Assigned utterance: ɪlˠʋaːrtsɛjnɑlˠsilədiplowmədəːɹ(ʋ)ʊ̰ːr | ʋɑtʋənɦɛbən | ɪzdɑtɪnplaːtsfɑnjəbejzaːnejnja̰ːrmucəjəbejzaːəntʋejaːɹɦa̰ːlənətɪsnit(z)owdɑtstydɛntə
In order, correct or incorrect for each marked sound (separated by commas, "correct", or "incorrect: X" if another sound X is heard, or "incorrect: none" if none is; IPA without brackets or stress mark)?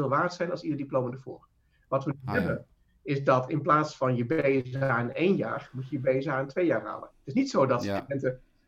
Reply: incorrect: v, incorrect: s